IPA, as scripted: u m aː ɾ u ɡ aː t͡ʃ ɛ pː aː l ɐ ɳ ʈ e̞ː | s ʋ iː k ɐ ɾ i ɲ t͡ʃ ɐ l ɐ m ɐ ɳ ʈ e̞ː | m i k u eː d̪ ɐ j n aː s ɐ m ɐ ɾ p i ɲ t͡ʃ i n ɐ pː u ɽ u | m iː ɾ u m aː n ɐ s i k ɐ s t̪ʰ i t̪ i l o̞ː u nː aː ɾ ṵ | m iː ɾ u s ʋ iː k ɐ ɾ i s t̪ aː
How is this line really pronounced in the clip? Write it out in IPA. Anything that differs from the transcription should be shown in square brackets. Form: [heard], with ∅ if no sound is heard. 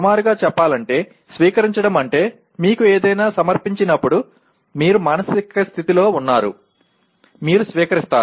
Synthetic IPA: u m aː ɾ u ɡ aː t͡ʃ ɛ pː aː l ɐ ɳ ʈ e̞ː | s ʋ iː k ɐ ɾ i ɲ t͡ʃ ɐ [ɽ] ɐ m ɐ ɳ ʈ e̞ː | m [iː] k u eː d̪ ɐ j n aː s ɐ m ɐ ɾ p i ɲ t͡ʃ i n ɐ pː u ɽ u | m iː ɾ u m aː n ɐ s i k ɐ s t̪ʰ i t̪ i l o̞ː u nː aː ɾ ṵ | m iː ɾ u s ʋ iː k ɐ ɾ i s t̪ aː